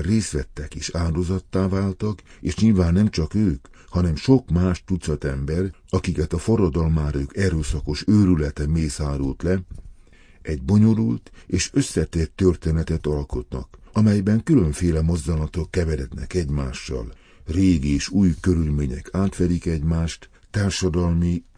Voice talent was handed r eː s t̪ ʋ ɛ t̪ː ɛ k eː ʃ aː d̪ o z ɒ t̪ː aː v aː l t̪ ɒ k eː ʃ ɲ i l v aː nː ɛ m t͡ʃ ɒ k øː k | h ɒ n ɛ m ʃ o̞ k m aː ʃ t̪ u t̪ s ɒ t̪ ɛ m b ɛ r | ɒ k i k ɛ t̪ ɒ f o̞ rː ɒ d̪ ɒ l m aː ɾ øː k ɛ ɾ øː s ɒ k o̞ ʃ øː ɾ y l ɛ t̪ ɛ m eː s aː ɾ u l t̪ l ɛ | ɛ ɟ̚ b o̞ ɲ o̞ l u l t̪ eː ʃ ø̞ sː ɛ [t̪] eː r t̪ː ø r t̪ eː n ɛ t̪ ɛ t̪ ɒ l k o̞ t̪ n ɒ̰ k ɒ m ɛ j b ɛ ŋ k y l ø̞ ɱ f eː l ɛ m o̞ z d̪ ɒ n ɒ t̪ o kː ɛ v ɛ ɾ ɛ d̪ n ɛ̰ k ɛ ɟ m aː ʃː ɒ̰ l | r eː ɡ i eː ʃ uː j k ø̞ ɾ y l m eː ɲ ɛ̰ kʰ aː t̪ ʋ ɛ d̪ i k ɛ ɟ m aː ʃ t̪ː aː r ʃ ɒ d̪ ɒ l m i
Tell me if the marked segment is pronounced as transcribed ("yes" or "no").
yes